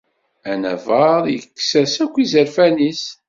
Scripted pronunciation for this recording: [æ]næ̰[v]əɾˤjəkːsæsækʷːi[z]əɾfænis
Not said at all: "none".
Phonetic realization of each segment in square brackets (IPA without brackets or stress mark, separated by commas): æ, v, z